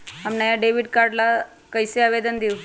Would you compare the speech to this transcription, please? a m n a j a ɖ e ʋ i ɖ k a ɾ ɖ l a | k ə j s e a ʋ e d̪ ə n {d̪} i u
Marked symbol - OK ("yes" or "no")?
yes